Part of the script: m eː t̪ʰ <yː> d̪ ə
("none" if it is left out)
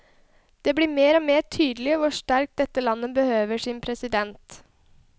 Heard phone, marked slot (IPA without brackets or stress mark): yː